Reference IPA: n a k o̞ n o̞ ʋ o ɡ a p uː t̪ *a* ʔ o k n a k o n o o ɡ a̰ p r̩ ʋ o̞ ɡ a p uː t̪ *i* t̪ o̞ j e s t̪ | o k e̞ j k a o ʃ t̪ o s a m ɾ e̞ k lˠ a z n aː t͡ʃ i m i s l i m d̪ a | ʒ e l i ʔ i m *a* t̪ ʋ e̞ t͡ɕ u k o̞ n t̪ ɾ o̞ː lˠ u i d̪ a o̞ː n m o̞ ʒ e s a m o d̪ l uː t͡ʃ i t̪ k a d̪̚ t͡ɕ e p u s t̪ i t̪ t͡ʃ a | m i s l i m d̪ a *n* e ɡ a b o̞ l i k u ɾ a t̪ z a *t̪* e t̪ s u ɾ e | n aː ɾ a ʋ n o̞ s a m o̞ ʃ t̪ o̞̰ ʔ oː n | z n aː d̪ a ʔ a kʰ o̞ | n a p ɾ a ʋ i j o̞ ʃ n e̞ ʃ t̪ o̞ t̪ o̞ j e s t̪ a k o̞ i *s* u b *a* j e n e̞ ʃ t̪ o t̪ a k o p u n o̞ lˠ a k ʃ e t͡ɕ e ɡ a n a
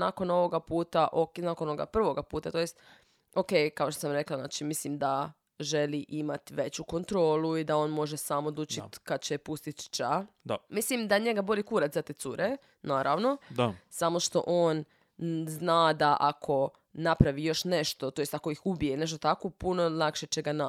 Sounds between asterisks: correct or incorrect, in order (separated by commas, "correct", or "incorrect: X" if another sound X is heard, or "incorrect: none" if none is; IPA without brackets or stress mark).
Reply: correct, incorrect: a, correct, incorrect: ɲ, correct, incorrect: x, incorrect: i